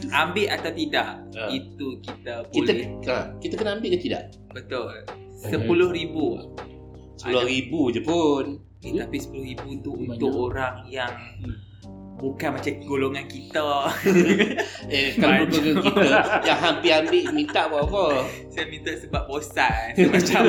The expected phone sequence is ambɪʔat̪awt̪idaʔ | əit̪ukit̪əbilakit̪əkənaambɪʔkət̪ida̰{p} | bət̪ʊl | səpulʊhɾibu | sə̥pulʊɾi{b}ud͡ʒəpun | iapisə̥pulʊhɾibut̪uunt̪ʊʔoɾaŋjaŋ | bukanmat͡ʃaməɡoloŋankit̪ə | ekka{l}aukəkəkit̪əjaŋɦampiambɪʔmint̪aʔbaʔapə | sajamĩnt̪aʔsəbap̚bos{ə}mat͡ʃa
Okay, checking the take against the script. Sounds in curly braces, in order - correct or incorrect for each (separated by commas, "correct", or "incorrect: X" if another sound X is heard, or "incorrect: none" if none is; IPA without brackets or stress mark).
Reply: incorrect: ʔ, correct, correct, incorrect: a